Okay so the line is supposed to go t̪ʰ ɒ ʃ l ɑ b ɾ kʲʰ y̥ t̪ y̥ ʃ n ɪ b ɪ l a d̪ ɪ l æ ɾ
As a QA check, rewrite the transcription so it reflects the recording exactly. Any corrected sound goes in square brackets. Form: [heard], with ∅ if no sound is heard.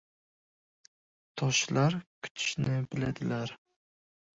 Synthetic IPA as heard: t̪ʰ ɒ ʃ l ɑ [∅] ɾ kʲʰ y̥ [t̪ʰ] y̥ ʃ n ɪ b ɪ l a d̪ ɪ l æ ɾ